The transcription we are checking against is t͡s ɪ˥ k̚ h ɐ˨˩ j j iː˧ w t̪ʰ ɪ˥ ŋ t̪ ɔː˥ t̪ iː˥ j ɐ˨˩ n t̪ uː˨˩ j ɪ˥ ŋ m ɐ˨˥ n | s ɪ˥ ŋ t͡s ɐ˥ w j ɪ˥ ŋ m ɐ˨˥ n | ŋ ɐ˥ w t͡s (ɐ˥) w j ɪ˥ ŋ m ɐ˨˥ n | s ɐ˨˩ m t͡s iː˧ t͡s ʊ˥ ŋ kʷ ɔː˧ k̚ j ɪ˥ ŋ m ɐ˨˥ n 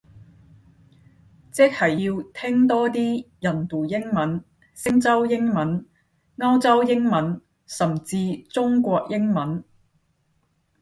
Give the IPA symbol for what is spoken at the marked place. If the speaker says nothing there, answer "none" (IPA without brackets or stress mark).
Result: ɐ˥